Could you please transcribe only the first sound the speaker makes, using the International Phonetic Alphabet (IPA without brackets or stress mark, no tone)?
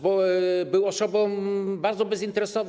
b